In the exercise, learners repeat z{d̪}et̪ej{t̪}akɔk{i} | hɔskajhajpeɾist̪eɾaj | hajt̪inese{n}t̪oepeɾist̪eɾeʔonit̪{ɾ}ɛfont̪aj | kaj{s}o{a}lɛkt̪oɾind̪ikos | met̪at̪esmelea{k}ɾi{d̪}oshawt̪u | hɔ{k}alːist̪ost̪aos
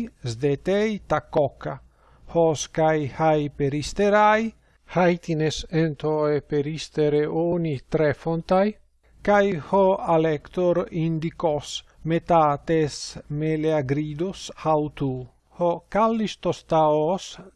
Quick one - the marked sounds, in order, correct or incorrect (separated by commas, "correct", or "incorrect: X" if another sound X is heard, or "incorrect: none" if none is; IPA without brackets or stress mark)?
correct, correct, incorrect: a, correct, correct, incorrect: h, correct, incorrect: ɡ, correct, correct